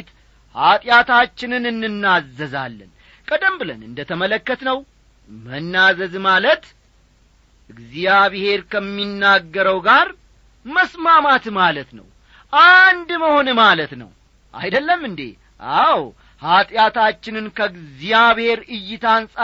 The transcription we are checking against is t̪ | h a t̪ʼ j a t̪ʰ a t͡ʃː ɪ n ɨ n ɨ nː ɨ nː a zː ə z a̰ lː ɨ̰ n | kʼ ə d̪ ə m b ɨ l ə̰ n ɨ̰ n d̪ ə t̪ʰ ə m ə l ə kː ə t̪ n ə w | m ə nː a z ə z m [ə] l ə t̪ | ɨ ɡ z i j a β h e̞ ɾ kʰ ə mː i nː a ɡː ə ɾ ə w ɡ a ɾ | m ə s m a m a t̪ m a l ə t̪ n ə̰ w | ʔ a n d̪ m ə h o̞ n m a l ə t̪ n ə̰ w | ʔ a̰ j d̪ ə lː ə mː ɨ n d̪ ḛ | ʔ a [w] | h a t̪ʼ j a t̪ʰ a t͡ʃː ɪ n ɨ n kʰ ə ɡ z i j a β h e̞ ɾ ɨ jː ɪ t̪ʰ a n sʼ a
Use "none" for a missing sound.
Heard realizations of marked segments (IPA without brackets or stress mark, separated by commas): a, w